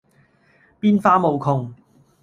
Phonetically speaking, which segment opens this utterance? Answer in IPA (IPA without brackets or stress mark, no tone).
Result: p